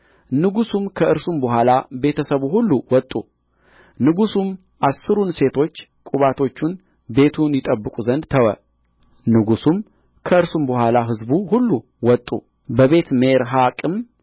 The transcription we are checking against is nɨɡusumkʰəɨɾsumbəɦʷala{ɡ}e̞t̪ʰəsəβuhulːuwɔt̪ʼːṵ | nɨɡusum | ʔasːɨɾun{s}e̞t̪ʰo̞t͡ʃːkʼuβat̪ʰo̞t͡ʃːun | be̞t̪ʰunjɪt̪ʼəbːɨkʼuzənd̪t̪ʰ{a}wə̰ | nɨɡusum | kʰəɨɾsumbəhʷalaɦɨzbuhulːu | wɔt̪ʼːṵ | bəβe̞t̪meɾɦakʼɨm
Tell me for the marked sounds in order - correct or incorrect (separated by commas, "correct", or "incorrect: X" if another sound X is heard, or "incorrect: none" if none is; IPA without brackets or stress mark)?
incorrect: b, correct, incorrect: ə